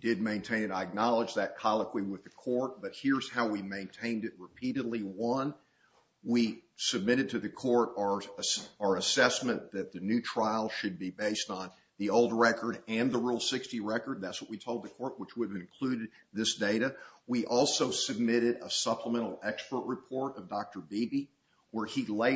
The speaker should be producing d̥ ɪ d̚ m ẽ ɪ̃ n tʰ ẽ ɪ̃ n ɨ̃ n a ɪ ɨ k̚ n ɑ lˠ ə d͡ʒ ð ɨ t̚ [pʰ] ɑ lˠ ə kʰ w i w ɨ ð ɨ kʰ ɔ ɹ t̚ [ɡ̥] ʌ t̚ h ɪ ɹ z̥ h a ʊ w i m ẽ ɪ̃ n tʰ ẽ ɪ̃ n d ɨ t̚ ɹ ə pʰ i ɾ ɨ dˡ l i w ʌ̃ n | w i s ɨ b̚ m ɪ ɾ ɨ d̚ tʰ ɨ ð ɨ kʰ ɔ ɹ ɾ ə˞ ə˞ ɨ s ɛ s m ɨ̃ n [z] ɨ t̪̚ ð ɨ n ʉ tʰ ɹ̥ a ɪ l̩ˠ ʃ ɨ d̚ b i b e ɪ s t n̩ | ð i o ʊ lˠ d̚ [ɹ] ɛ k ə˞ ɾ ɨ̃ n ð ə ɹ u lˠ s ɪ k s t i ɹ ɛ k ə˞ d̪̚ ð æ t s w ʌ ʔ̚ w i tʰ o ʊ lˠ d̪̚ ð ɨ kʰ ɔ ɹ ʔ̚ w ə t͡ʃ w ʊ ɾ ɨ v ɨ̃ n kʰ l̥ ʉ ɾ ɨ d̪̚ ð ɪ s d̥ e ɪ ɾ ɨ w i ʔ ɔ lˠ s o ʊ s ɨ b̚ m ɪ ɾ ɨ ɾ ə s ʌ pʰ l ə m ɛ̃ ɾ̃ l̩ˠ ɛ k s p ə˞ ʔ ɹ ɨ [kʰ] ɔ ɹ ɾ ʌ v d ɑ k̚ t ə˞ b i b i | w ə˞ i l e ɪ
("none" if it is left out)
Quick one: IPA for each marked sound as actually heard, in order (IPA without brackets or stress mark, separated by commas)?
kʰ, b̥, ð, ɹ, pʰ